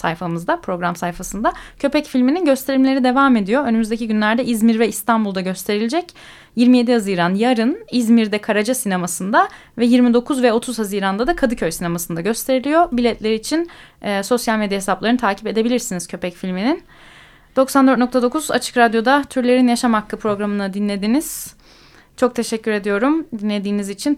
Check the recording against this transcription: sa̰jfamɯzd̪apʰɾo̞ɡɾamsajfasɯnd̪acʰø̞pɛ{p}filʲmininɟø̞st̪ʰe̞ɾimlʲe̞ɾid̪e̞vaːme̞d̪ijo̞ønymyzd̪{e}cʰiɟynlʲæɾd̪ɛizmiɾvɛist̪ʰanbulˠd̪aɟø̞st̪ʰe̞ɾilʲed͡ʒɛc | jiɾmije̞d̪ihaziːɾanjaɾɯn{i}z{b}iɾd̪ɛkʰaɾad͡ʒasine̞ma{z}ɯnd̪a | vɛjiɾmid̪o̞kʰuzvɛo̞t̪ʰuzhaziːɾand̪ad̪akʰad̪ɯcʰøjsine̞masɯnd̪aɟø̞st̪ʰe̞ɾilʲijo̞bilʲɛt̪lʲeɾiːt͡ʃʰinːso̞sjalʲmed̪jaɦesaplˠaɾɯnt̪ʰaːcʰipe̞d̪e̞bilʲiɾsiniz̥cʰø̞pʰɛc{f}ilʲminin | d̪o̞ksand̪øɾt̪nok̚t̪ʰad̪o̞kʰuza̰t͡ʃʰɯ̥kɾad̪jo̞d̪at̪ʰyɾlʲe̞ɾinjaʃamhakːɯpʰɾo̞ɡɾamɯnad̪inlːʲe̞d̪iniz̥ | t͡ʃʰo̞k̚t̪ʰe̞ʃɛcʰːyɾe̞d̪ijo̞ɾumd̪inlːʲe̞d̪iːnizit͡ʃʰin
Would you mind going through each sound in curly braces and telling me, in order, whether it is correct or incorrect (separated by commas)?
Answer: incorrect, correct, correct, incorrect, incorrect, correct